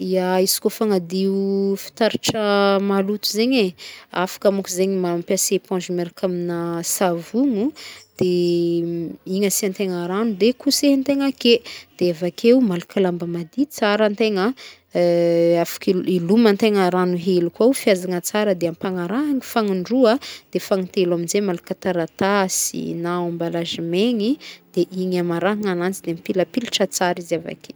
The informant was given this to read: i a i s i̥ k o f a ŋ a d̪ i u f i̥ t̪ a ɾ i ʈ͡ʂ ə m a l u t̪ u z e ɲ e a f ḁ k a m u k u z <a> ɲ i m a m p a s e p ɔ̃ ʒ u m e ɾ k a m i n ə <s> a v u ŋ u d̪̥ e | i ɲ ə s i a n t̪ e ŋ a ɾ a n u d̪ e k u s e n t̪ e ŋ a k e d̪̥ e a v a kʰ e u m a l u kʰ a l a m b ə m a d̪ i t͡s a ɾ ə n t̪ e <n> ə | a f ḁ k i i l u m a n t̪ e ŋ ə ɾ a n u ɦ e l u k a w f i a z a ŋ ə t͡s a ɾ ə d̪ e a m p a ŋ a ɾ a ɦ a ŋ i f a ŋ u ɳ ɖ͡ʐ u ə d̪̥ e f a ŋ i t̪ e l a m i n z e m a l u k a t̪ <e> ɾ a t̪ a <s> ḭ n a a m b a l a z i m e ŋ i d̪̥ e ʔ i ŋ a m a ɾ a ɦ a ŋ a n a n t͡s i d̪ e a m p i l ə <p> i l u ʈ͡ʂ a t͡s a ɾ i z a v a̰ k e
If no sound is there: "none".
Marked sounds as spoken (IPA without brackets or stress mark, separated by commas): e, s, ŋ, a, s, p